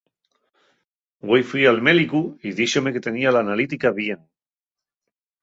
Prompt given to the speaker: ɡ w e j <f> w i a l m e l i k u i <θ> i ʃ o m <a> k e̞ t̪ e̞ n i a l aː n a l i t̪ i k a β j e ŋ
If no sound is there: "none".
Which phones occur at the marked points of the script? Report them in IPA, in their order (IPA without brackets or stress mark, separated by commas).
f, ð, e